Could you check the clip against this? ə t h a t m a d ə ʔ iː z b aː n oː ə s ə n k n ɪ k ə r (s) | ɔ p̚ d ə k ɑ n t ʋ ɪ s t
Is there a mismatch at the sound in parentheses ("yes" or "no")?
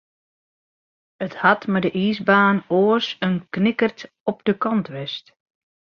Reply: yes